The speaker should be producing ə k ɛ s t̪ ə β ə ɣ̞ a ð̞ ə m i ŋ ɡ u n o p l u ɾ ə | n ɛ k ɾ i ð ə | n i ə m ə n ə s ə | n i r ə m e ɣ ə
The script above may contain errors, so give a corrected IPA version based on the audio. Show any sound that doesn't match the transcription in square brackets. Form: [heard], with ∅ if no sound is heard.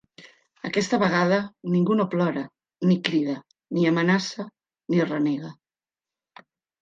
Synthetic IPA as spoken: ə k ɛ s t̪ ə β ə ɣ̞ a ð̞ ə [n] i ŋ ɡ u n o p l [ɔ] ɾ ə | n [i] k ɾ i ð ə | n i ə m ə n [a] s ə | n i r ə [n] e ɣ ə